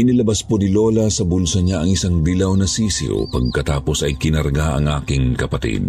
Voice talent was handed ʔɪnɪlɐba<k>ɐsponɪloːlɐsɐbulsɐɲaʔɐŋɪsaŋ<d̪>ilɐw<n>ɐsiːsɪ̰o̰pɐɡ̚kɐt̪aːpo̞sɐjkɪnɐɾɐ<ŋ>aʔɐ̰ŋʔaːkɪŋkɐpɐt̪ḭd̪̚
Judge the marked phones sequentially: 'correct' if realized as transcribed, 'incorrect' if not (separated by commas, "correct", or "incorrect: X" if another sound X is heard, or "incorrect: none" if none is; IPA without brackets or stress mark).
incorrect: none, correct, correct, incorrect: ɡ